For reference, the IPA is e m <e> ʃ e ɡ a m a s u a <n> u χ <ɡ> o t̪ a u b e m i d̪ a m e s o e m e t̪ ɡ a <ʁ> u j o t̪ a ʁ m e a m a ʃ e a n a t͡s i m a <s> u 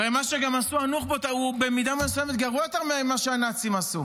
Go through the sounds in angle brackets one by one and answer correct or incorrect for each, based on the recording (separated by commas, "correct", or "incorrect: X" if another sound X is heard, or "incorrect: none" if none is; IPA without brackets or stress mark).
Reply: incorrect: a, correct, incorrect: b, correct, correct